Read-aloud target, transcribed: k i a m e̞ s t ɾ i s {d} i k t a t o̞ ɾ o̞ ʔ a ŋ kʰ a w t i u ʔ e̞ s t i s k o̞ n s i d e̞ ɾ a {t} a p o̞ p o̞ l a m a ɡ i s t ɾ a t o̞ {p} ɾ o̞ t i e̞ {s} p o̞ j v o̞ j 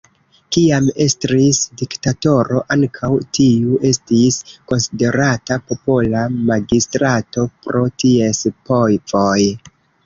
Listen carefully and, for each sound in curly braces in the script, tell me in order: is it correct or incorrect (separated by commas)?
correct, correct, correct, correct